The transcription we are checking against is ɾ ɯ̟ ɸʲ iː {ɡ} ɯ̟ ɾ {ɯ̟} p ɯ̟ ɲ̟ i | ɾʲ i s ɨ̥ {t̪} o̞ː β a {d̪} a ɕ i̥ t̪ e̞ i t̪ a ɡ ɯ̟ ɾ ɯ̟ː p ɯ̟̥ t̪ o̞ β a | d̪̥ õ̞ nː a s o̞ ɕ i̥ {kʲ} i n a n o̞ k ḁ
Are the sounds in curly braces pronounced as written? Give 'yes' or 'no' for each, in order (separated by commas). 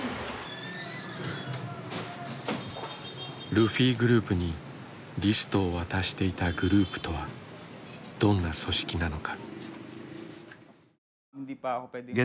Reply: yes, no, yes, no, yes